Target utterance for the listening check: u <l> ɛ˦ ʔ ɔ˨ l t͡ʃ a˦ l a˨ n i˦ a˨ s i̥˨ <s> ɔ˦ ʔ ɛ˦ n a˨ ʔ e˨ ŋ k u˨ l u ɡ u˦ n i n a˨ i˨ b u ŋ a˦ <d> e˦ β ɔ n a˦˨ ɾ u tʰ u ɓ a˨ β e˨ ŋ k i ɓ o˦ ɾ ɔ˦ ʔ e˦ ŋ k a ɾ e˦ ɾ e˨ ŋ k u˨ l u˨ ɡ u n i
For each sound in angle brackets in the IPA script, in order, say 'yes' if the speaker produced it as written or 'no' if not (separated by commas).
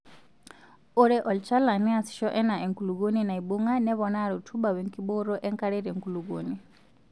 no, no, no